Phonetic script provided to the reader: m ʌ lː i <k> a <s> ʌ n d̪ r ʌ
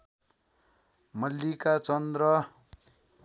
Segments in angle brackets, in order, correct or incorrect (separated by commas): correct, incorrect